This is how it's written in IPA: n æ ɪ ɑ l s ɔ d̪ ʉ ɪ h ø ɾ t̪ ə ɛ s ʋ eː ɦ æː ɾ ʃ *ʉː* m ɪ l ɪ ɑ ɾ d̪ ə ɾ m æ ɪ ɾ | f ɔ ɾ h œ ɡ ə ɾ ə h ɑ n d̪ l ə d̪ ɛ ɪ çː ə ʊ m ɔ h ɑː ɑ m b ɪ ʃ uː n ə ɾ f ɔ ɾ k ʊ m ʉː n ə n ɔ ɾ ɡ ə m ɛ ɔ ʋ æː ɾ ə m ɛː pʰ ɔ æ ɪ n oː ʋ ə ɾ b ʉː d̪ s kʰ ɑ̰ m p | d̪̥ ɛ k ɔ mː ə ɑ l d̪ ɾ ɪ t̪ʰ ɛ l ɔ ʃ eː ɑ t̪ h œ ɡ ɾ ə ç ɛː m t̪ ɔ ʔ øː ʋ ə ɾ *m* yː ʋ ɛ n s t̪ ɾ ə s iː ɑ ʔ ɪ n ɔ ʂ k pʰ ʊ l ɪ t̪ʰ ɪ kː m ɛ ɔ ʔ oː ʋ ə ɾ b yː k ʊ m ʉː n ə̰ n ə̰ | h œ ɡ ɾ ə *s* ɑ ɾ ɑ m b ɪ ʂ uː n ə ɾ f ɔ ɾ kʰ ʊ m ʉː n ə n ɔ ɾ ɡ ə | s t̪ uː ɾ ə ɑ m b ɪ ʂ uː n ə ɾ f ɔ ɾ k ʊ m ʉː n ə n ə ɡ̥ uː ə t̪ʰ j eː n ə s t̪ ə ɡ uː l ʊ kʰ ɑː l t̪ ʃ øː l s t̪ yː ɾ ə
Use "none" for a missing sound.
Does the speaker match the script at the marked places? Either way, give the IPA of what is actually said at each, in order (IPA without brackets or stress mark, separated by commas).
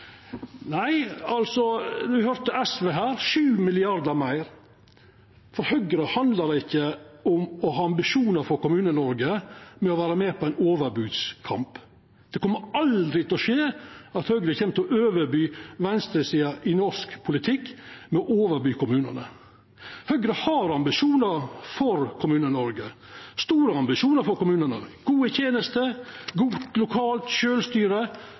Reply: ʉː, b, h